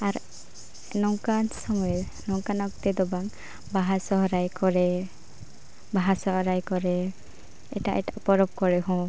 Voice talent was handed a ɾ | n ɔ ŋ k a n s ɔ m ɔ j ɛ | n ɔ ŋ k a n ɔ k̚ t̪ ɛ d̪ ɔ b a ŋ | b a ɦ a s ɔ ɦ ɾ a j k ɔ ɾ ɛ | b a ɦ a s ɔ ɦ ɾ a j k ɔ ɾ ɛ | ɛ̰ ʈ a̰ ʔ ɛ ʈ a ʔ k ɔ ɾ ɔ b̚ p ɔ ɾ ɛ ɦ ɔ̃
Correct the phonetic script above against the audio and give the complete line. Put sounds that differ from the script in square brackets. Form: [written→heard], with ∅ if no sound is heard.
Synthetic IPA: a ɾ | n ɔ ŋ k a n s ɔ m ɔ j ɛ | n ɔ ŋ k a n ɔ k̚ t̪ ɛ d̪ ɔ b a ŋ | b a ɦ a s ɔ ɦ ɾ a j k ɔ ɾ ɛ | b a ɦ a s ɔ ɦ ɾ a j k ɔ ɾ ɛ | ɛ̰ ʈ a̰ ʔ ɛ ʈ a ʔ [k→p] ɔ ɾ ɔ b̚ [p→k] ɔ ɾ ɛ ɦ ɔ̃